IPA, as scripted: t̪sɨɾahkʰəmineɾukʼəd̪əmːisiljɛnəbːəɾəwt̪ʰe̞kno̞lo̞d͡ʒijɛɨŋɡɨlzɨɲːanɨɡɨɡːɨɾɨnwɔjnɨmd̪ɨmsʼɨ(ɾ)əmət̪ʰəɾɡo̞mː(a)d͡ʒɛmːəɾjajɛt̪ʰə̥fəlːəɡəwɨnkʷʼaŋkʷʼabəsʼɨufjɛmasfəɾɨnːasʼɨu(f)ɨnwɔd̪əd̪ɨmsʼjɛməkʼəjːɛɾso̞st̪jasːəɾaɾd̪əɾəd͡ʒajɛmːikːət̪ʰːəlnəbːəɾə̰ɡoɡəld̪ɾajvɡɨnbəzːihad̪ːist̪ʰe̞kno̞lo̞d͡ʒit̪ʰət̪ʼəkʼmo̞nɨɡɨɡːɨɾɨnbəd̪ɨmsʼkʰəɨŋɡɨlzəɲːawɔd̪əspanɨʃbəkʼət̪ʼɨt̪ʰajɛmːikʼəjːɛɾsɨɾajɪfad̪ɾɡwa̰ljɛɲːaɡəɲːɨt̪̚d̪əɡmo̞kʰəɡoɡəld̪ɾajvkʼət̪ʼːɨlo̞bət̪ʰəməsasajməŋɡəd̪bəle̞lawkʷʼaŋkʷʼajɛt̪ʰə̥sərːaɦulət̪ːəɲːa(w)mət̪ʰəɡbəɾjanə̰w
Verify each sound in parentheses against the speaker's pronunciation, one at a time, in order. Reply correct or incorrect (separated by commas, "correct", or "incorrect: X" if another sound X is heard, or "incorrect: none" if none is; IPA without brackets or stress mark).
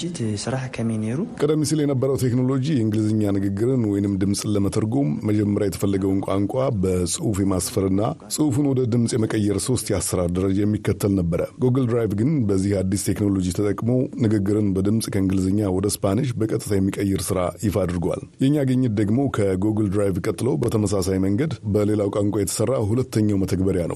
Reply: incorrect: l, incorrect: ə, correct, correct